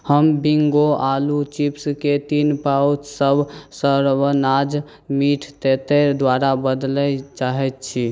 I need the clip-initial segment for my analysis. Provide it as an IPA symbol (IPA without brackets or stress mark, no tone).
h